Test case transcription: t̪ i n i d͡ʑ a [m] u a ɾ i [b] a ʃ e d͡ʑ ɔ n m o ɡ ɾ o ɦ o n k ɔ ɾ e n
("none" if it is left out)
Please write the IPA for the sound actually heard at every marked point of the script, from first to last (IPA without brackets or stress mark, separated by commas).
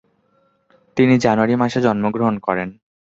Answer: n, m